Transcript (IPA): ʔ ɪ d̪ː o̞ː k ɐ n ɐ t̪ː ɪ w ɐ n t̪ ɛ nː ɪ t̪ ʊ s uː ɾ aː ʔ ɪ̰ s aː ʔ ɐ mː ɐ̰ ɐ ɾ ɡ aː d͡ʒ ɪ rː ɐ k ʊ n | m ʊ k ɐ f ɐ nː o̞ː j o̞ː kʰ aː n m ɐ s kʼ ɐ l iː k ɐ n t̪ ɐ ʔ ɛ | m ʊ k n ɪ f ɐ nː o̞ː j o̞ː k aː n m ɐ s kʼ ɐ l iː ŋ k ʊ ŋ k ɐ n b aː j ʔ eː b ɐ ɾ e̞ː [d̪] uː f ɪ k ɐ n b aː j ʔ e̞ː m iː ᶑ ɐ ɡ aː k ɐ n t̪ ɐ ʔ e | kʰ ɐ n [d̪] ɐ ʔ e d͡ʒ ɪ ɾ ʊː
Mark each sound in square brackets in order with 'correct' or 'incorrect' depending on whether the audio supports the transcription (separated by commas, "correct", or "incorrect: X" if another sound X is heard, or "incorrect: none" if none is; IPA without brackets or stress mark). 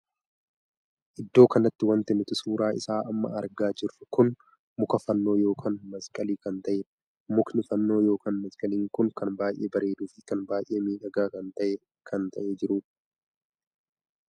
correct, incorrect: t̪